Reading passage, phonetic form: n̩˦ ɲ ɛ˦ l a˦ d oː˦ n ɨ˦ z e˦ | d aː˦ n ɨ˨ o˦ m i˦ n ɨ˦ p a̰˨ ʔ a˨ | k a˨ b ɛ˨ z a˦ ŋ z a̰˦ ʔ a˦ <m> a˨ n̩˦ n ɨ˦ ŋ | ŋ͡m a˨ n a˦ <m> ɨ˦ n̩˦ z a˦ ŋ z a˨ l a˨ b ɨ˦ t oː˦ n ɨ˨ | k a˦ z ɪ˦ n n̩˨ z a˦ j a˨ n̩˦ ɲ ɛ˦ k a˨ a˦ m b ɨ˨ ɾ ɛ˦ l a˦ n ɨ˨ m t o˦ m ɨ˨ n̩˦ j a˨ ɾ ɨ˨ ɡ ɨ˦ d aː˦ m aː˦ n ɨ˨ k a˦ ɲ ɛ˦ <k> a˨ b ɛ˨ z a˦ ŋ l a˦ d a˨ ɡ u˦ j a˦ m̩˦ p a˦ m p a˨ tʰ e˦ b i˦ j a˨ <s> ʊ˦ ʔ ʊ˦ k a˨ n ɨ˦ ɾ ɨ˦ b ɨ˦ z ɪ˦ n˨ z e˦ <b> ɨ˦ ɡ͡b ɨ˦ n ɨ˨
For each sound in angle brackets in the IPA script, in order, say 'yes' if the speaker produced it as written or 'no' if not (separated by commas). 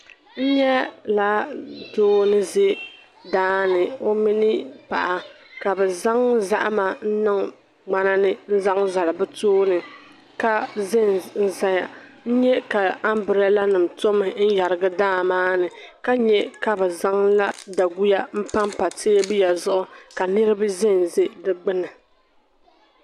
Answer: yes, no, yes, no, no